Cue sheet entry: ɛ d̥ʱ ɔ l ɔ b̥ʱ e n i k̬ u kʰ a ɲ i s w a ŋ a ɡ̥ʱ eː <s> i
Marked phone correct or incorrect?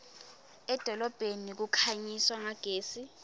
correct